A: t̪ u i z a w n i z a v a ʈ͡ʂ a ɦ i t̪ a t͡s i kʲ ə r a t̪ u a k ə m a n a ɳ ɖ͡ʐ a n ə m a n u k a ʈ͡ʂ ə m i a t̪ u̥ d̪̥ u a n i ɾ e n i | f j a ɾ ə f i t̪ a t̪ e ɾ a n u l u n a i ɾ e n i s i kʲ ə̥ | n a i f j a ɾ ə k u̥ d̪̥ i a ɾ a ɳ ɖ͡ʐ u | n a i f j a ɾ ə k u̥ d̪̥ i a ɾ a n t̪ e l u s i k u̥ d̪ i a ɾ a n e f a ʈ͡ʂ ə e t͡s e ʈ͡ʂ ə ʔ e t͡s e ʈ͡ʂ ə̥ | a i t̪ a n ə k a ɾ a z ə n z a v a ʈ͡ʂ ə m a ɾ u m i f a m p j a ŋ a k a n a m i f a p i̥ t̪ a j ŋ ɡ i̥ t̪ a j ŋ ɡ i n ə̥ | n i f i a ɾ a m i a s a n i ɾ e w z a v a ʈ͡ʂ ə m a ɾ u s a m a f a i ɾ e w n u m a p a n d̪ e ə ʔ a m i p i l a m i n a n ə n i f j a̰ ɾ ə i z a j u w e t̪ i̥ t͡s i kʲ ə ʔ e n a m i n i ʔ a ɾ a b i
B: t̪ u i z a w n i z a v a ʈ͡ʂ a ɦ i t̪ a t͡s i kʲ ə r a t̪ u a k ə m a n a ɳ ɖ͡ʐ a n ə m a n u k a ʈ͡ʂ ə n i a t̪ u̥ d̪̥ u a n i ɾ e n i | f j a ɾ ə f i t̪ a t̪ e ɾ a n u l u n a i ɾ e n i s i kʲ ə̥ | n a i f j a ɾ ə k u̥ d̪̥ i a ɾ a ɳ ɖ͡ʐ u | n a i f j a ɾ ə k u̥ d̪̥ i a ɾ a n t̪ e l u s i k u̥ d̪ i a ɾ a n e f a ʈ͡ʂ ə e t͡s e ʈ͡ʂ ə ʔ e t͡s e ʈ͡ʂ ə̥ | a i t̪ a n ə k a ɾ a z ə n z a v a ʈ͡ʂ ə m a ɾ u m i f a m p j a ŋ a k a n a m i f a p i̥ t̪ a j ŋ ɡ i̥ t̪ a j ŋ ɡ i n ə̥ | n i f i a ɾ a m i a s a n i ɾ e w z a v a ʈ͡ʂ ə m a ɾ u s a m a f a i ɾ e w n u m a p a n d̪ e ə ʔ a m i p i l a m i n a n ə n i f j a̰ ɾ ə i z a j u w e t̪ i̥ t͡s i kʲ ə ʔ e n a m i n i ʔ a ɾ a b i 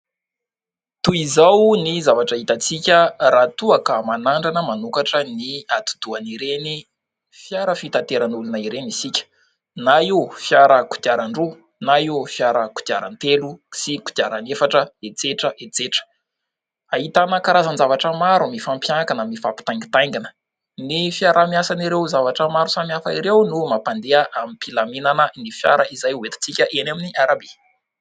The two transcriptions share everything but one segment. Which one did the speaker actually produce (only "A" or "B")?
B